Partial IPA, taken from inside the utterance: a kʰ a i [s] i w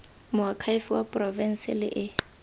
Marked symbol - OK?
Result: no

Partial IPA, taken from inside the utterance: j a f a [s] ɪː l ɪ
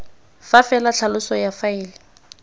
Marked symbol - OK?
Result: no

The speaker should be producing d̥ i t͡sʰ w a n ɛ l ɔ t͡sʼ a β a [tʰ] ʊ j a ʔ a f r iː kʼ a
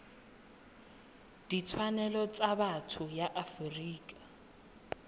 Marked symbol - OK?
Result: yes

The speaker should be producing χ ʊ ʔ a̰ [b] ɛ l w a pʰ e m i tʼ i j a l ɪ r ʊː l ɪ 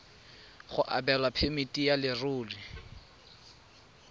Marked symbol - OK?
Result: yes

